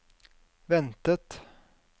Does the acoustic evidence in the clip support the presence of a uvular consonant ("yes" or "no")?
no